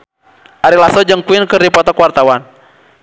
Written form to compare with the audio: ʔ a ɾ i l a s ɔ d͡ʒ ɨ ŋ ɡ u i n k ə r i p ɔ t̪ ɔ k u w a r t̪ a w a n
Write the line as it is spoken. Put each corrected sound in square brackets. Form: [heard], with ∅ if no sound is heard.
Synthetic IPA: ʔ a ɾ i l a s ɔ d͡ʒ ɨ ŋ [k] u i n k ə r i p ɔ t̪ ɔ k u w a r t̪ a w a n